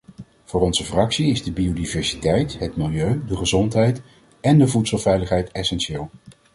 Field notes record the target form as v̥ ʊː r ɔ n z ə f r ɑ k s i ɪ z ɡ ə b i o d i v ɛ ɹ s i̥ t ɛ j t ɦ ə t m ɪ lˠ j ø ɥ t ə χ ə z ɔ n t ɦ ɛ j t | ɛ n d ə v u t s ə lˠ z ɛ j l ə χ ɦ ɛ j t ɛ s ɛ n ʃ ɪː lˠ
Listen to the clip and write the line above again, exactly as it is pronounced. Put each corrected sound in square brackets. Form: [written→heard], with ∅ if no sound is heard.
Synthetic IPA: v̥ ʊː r ɔ n z ə f r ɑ k s i ɪ z [ɡ→d] ə b i o d i v ɛ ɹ s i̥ t ɛ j t ɦ ə t m ɪ lˠ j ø ɥ [t→d] ə χ ə z ɔ n t ɦ ɛ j t | ɛ n d ə v u t s ə lˠ [z→v] ɛ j l ə χ ɦ ɛ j t ɛ s ɛ n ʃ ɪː lˠ